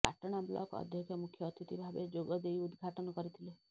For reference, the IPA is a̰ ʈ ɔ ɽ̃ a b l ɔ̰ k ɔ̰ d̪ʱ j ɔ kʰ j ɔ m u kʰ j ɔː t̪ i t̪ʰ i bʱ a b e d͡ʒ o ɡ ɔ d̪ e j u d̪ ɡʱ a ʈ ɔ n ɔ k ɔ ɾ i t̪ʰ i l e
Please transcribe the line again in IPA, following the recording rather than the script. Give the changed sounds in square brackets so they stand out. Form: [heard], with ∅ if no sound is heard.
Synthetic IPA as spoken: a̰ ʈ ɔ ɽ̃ a b l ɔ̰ k ɔ̰ d̪ʱ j ɔ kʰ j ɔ m u kʰ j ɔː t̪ i [t̪] i bʱ a b e d͡ʒ o ɡ ɔ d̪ e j u d̪ ɡʱ a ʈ ɔ n ɔ k ɔ ɾ i t̪ʰ i l e